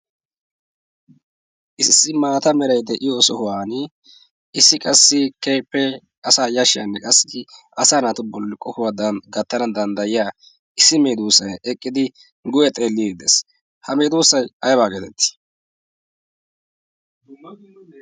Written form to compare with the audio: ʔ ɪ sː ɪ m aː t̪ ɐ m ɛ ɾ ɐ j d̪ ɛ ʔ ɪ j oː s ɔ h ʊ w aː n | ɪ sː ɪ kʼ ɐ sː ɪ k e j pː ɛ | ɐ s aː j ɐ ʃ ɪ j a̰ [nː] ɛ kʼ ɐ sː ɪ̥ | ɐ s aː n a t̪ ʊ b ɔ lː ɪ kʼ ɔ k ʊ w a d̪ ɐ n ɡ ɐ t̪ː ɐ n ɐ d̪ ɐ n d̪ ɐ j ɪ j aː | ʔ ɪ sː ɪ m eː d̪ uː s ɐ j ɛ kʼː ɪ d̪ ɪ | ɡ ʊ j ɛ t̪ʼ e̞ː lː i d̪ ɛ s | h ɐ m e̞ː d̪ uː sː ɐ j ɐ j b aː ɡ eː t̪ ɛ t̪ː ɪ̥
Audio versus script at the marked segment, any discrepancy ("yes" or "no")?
no